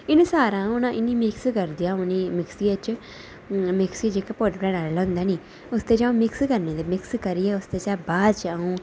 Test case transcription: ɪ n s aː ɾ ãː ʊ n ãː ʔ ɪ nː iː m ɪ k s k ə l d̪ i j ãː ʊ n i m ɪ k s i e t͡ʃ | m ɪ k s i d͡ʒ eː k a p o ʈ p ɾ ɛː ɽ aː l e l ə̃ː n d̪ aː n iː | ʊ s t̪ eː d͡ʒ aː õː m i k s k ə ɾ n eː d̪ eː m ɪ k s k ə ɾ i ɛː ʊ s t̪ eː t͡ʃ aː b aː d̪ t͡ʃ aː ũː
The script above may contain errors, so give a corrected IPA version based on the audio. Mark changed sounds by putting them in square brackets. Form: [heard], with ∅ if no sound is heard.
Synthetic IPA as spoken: ɪ n s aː ɾ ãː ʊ n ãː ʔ ɪ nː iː m ɪ k s k ə [ɾ] d̪ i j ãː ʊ n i m ɪ k s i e t͡ʃ | m ɪ k s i d͡ʒ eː k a p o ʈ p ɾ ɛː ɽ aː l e l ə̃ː n d̪ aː n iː | ʊ s t̪ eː d͡ʒ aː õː m [ɪ] k s k ə ɾ n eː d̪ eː m ɪ k s k ə ɾ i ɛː ʊ s t̪ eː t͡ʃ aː b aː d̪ t͡ʃ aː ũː